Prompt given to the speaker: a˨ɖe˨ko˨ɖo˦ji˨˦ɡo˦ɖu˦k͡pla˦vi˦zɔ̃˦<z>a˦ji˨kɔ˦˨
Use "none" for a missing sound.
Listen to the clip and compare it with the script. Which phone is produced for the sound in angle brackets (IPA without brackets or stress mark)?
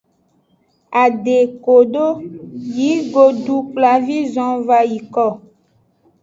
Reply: v